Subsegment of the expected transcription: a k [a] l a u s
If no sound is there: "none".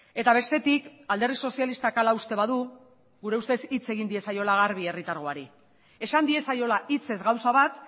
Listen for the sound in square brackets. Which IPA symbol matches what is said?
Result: a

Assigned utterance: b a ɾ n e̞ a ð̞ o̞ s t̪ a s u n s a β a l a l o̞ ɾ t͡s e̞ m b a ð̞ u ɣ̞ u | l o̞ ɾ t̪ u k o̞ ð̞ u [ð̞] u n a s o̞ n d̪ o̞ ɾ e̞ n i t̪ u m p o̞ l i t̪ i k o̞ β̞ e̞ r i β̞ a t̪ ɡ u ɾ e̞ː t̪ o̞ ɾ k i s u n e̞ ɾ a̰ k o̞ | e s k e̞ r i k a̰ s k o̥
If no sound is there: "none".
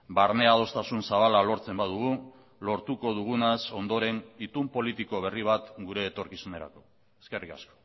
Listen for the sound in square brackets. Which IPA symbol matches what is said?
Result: ɣ̞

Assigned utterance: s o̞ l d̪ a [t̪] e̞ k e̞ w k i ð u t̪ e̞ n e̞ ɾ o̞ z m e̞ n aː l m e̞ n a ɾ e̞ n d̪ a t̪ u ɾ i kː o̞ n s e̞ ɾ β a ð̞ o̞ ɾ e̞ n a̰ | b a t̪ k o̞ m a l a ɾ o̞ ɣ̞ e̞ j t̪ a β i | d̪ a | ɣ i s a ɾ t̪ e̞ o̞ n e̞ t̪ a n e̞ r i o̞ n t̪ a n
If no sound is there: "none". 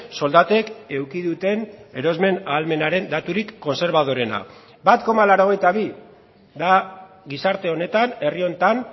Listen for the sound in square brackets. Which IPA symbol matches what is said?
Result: t̪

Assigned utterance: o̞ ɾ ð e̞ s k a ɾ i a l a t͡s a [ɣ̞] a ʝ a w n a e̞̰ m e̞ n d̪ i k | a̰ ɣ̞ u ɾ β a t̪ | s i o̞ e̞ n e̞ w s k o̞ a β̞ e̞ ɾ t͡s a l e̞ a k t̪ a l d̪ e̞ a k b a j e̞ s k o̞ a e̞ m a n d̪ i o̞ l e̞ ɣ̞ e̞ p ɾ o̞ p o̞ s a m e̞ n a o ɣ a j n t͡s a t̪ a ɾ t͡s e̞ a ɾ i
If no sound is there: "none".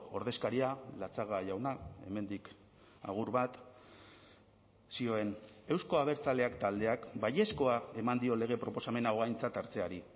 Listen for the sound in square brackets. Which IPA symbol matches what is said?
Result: ɣ̞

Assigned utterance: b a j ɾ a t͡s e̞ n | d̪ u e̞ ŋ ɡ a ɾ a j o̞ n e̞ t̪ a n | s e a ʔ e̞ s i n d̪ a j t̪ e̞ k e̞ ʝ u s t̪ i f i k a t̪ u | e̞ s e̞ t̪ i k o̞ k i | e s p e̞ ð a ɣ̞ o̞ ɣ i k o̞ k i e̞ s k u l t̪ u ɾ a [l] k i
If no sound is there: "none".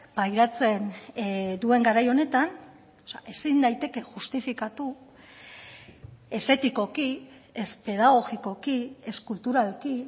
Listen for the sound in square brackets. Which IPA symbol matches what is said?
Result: l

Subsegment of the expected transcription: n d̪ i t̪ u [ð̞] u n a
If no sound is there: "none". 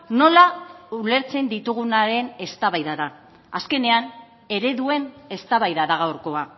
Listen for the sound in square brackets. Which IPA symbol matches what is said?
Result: ɣ̞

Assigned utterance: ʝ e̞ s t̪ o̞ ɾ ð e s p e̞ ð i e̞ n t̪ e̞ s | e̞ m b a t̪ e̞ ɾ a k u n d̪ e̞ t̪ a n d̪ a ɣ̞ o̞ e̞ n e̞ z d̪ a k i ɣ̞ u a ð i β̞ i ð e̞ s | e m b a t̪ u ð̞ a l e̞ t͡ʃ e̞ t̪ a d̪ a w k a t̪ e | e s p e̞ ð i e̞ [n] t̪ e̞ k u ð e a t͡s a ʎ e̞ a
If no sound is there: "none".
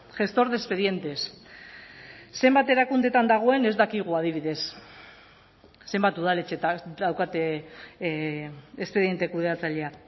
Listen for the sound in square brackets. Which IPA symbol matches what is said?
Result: n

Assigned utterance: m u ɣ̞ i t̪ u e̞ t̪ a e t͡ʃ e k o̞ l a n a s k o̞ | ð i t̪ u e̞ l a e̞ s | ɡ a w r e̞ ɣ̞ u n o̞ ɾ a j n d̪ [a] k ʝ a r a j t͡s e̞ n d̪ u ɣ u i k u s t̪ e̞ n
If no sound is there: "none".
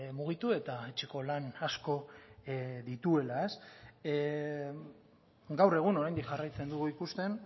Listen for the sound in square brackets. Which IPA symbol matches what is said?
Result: i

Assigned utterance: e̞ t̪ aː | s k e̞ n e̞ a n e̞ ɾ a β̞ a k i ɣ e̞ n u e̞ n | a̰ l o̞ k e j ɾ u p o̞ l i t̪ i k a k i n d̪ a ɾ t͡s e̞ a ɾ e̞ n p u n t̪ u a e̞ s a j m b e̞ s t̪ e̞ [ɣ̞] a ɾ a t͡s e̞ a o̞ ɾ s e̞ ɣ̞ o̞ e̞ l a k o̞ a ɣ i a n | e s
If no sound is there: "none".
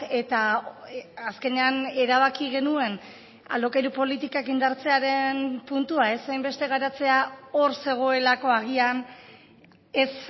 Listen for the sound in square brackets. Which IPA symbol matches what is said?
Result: ɣ̞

